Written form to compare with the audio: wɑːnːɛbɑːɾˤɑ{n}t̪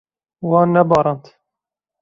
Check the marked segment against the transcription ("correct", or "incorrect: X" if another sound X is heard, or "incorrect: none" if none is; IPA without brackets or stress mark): correct